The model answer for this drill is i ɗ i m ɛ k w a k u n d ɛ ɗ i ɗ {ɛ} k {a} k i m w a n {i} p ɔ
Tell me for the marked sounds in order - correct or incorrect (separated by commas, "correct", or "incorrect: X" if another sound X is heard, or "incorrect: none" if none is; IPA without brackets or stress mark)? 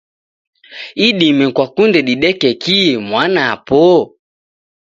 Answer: correct, incorrect: ɛ, incorrect: a